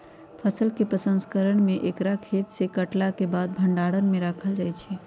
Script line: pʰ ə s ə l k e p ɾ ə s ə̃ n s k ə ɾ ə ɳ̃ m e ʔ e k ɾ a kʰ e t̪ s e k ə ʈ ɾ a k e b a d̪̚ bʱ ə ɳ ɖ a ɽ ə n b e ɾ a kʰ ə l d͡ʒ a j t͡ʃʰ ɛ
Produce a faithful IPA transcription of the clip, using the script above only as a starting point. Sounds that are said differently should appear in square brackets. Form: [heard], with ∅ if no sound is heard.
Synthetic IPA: pʰ ə s ə l k e p ɾ ə s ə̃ n s k ə ɾ ə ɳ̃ m e ʔ e k ɾ a kʰ e t̪ s e k ə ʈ [l] a k e b a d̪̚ bʱ ə ɳ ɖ a ɽ ə n [m] e ɾ a kʰ ə l d͡ʒ a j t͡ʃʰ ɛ